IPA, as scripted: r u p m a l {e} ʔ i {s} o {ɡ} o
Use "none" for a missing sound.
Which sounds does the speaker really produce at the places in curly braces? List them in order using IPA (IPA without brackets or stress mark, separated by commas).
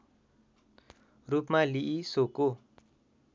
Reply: i, s, k